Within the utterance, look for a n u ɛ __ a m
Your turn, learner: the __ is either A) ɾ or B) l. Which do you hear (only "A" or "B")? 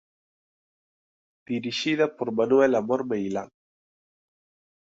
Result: B